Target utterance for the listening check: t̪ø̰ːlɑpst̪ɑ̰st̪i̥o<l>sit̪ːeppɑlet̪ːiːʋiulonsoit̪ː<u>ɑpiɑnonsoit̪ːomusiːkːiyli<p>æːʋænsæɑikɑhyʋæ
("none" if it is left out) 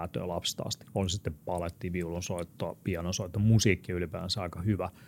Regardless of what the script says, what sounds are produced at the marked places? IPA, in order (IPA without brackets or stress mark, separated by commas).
l, o, p